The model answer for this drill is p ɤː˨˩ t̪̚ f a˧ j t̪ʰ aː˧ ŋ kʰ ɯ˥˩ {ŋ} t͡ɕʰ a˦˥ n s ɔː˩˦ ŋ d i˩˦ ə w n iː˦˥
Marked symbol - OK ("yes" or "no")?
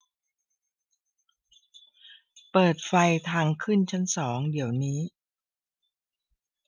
no